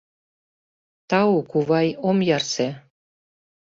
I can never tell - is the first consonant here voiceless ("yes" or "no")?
yes